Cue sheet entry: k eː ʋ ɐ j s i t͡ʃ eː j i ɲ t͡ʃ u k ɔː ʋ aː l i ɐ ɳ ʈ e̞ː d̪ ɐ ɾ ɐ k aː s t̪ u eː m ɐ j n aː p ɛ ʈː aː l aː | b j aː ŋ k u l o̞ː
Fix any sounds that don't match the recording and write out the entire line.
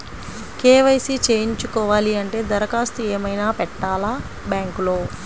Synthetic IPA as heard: k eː ʋ ɐ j s i t͡ʃ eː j i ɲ t͡ʃ u k ɔː ʋ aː l i ɐ ɳ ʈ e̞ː d̪ ɐ ɾ ɐ k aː s t̪ u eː m ɐ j n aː p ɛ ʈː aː l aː | b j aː ŋ k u l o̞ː